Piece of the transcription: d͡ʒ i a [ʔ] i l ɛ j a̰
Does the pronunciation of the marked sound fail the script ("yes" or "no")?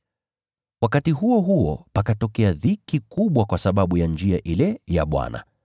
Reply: no